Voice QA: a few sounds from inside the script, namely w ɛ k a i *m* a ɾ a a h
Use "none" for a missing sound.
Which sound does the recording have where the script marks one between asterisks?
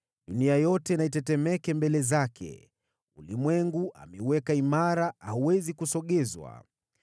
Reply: m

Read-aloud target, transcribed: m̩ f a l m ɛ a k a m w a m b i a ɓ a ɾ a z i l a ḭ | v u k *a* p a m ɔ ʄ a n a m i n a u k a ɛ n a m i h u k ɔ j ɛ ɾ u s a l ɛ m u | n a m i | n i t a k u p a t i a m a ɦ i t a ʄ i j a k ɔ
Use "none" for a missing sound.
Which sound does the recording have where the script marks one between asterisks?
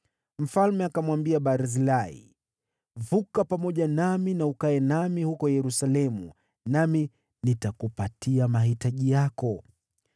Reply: a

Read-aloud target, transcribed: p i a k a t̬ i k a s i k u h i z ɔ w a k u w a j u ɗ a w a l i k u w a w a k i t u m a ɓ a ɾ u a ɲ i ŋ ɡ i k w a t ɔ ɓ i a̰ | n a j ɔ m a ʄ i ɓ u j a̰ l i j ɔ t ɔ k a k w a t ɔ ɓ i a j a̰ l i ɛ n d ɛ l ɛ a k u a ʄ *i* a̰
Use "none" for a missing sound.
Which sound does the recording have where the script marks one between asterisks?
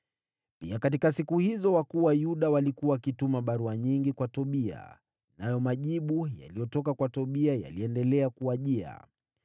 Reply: i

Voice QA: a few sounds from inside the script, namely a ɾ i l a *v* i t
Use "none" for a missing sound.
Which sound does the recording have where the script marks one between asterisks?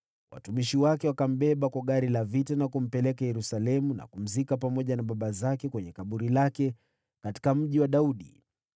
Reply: v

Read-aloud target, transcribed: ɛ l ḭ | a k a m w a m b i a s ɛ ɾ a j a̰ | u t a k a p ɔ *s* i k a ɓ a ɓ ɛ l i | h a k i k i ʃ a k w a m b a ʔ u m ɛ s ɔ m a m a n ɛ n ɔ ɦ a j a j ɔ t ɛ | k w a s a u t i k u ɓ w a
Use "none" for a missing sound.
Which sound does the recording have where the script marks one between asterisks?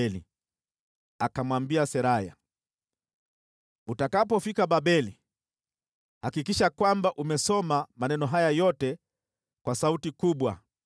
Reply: f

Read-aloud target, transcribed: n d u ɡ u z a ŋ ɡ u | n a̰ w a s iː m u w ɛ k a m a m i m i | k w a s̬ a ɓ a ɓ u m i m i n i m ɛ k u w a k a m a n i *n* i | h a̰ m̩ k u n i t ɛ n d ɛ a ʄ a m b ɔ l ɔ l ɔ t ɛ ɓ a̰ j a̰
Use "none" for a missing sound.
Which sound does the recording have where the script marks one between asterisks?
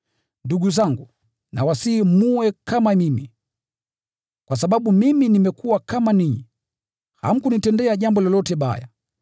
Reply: ɲ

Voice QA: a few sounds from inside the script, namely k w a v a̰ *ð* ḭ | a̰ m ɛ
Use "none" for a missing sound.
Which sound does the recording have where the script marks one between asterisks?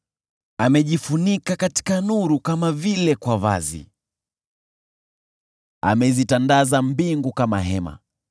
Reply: z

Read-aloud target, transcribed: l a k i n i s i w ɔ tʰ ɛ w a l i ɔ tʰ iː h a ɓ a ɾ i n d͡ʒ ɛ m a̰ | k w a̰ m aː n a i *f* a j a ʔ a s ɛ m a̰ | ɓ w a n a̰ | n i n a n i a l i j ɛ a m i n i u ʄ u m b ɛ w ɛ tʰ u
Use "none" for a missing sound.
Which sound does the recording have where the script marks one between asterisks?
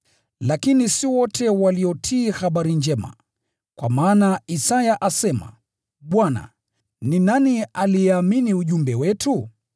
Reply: s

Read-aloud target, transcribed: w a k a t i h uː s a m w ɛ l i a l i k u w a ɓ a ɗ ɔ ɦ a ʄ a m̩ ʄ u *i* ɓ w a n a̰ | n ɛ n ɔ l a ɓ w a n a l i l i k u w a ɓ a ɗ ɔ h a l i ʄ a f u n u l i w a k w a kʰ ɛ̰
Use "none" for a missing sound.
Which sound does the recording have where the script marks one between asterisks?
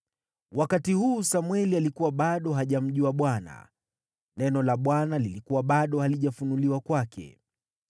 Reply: a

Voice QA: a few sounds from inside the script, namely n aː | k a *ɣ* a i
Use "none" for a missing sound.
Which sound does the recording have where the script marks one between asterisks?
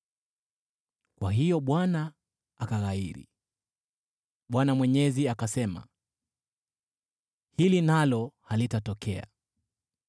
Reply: ɣ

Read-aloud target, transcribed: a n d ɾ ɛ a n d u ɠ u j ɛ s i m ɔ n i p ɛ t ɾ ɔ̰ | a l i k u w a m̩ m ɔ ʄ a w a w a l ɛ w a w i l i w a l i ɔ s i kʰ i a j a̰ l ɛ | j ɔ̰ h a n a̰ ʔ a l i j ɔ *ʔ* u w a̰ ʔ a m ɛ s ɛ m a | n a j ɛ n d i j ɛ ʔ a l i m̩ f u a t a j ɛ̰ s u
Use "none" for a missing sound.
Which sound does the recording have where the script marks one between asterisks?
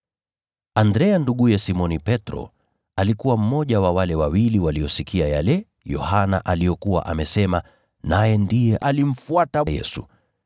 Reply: k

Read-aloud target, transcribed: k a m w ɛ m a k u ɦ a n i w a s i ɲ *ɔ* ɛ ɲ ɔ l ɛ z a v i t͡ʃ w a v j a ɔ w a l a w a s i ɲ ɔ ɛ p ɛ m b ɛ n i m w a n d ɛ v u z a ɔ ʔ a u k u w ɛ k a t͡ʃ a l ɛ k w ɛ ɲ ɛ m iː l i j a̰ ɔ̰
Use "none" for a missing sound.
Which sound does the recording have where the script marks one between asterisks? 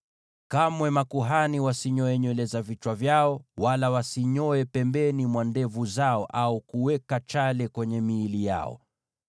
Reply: ɔ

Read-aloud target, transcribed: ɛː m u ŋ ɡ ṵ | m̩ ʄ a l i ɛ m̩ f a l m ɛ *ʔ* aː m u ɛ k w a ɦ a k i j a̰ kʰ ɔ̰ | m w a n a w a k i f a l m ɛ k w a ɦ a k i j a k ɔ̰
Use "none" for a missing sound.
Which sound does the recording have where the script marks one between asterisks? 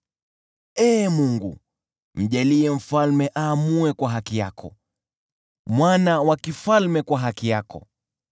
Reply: ʔ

